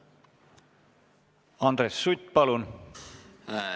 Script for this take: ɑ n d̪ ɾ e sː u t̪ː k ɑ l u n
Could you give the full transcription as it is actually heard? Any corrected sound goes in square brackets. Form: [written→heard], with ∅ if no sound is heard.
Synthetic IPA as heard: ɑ n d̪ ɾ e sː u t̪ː [k→p] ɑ l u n